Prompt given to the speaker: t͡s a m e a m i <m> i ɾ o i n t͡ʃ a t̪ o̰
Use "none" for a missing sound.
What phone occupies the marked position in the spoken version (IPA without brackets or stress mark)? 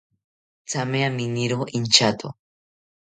n